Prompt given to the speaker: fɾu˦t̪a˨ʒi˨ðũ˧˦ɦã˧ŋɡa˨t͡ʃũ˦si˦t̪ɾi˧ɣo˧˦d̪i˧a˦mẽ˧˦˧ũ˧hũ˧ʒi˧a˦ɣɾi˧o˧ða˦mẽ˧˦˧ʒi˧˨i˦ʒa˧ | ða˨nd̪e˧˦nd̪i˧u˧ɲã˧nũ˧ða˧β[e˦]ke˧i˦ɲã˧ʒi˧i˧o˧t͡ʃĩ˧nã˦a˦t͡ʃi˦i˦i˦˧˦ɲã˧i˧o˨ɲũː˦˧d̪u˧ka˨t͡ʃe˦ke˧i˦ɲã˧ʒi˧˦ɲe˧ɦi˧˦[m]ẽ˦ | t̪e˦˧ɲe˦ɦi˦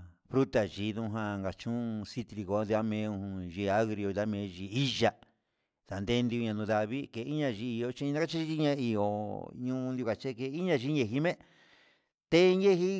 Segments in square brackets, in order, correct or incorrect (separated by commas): incorrect, correct